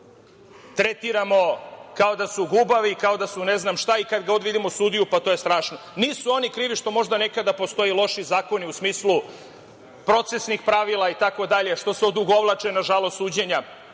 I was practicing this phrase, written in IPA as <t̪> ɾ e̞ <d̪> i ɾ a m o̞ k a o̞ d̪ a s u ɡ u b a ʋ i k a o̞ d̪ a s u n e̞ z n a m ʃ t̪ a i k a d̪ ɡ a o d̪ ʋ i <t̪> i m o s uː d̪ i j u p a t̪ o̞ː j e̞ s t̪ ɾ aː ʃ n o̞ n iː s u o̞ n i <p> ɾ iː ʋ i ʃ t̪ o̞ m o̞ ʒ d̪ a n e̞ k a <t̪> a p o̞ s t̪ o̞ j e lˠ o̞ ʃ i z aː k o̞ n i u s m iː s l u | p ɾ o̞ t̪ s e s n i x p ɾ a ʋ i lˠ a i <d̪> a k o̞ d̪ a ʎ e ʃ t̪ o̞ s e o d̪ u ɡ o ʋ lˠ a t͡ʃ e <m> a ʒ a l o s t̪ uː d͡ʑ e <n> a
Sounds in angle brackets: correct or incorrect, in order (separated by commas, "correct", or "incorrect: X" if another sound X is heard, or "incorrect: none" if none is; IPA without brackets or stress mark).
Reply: correct, incorrect: t̪, incorrect: d̪, incorrect: k, incorrect: d̪, incorrect: t̪, incorrect: n, incorrect: ɲ